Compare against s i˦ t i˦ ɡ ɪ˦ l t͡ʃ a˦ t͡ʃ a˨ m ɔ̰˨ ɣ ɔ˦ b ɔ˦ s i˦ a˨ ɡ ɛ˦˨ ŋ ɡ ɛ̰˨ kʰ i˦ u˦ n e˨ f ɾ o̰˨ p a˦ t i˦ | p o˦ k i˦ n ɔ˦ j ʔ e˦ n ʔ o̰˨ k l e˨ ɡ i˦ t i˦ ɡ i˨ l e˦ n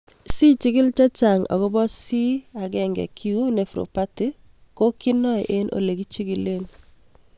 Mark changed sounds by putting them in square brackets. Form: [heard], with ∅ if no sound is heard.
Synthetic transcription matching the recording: s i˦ [t͡ʃ] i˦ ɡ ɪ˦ l t͡ʃ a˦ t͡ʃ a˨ [ŋ] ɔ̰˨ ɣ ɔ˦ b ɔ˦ s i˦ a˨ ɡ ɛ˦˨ ŋ ɡ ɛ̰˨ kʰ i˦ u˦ n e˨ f ɾ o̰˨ p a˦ t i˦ | [k] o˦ k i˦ n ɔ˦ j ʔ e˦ n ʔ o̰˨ [∅] l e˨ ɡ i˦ [t͡ʃ] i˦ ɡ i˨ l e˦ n